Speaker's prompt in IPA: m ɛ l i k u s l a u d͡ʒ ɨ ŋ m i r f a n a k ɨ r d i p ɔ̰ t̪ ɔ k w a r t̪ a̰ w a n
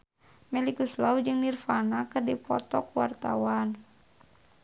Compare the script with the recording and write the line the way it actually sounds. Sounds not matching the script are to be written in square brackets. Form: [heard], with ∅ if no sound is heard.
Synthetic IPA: m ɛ l i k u s l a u d͡ʒ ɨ ŋ [n] i r f a n a k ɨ r d i p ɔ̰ t̪ ɔ k w a r t̪ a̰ w a n